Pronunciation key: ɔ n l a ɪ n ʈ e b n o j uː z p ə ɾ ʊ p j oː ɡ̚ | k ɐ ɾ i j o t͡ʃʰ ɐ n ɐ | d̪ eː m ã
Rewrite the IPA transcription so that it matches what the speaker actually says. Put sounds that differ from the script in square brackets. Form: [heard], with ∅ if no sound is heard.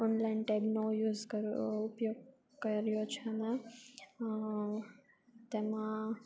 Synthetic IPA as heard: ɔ n l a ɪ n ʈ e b n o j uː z [k] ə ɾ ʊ p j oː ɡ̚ | k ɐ ɾ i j o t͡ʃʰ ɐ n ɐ | [t̪] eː m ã